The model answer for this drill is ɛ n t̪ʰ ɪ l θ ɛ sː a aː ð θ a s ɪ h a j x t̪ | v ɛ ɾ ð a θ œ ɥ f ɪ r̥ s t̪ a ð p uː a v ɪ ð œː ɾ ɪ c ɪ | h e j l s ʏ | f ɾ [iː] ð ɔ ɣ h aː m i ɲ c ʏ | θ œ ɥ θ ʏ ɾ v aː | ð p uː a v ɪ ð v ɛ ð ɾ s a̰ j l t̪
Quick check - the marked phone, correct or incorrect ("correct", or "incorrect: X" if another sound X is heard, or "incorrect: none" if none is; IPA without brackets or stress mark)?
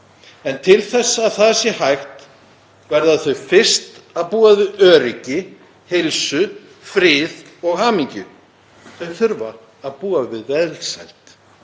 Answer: incorrect: ɪː